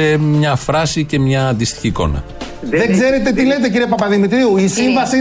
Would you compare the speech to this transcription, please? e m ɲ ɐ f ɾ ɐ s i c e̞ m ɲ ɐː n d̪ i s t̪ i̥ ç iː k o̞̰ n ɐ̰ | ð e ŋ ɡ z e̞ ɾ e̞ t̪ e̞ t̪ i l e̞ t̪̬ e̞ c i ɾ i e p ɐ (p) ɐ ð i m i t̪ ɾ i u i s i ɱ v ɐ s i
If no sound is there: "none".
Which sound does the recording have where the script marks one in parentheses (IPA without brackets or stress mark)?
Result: p